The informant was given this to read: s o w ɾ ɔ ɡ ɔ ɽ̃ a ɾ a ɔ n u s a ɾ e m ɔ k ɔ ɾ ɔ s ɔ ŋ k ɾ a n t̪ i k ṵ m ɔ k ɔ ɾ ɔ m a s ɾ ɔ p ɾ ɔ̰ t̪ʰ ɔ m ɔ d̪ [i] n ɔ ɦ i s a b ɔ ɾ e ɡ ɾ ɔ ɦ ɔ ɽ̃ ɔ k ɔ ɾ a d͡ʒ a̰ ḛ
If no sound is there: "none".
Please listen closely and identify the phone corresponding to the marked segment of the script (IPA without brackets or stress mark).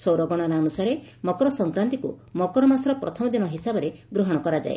i